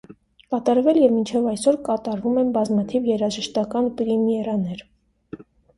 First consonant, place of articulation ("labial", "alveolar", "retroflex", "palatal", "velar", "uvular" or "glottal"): velar